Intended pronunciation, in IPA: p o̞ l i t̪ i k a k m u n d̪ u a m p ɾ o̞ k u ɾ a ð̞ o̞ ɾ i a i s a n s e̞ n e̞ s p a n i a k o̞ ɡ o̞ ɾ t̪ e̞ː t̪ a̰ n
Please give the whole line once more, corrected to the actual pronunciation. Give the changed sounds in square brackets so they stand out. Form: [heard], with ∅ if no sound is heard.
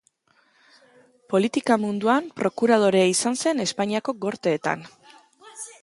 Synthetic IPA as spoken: p o̞ l i t̪ i k a [∅] m u n d̪ u a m p ɾ o̞ k u ɾ a ð̞ o̞ ɾ [e] a i s a n s e̞ n e̞ s p a [ɲ] i a k o̞ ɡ o̞ ɾ t̪ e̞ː t̪ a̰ n